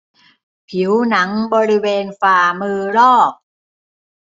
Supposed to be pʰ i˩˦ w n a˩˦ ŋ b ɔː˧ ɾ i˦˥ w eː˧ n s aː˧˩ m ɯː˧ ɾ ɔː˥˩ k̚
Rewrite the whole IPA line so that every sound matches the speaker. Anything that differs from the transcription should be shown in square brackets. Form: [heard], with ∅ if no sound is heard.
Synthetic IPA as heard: pʰ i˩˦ w n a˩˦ ŋ b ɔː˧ ɾ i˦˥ w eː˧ n [f] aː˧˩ m ɯː˧ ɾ ɔː˥˩ k̚